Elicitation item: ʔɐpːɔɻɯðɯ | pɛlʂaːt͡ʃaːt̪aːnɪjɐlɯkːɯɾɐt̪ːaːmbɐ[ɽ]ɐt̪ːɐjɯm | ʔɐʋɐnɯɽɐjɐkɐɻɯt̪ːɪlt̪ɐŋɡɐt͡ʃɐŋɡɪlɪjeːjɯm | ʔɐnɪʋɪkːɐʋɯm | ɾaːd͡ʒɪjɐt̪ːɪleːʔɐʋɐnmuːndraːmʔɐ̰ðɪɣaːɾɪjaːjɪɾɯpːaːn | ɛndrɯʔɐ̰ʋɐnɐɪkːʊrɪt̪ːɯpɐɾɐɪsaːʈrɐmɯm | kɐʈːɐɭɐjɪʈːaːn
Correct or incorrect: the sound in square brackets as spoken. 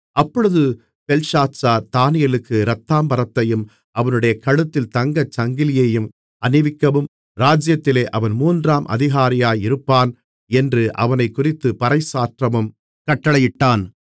incorrect: ɾ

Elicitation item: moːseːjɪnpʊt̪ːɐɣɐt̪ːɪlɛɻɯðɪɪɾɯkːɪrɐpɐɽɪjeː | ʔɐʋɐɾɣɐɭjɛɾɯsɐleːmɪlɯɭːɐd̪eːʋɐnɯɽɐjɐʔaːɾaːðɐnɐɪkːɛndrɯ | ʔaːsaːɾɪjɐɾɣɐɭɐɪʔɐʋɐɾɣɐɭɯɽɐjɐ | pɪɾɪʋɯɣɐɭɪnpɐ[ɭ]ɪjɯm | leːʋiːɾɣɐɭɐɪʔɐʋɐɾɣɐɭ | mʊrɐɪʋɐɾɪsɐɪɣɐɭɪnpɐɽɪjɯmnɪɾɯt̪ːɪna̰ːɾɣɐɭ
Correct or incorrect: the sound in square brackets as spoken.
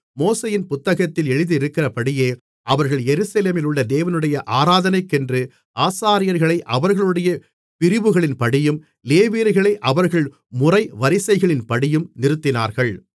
incorrect: ɽ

